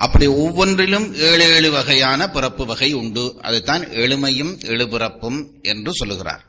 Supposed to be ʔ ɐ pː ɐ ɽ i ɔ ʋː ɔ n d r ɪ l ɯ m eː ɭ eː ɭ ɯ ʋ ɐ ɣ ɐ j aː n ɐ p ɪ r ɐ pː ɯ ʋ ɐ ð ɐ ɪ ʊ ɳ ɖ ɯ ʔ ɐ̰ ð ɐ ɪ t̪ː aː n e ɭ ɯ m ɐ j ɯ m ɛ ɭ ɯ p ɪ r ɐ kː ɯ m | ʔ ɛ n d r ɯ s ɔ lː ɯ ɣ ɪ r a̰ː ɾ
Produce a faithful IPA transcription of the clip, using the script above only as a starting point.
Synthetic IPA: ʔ ɐ pː ɐ ɽ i ɔ ʋː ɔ n d r ɪ l ɯ m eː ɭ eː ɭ ɯ ʋ ɐ ɣ ɐ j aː n ɐ p ɪ r ɐ pː ɯ ʋ ɐ ɣ ɐ ɪ ʊ ɳ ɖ ɯ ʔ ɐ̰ ð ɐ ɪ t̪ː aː n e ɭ ɯ m ɐ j ɯ m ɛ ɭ ɯ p ɪ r ɐ pː ɯ m | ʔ ɛ n d r ɯ s ɔ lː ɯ ɣ ɪ r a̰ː ɾ